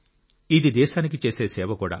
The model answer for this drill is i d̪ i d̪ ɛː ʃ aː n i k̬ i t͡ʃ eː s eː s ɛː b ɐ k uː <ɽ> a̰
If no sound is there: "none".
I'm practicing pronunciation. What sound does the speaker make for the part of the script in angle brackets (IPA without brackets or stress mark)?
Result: ɽ